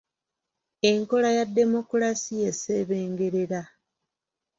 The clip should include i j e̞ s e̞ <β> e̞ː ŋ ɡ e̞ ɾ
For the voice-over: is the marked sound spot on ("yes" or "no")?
yes